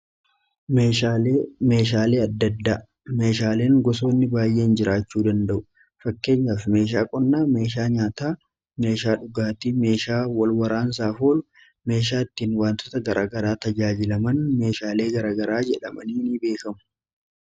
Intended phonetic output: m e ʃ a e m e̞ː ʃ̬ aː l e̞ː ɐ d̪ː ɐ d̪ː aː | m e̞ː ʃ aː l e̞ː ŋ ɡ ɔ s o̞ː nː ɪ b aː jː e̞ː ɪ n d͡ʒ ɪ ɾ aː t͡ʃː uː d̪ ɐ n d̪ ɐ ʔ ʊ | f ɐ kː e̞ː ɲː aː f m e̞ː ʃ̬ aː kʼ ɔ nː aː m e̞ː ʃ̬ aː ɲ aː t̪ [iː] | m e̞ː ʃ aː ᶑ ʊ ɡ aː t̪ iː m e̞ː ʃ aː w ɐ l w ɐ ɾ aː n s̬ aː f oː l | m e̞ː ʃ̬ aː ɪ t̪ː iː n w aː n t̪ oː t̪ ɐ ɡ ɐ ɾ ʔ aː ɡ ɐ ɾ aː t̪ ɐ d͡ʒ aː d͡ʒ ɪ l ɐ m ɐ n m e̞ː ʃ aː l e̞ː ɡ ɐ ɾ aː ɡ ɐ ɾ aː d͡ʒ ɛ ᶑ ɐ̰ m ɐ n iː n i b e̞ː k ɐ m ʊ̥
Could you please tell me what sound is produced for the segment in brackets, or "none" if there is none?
aː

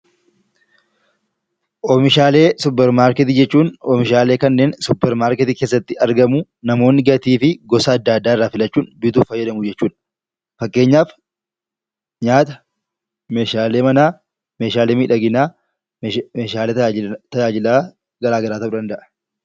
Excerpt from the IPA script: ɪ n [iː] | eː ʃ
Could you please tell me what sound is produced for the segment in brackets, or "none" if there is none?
aː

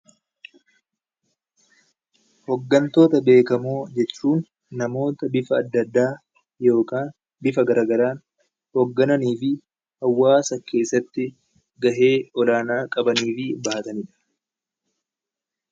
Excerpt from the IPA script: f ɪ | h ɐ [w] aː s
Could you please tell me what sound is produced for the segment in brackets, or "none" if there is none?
wː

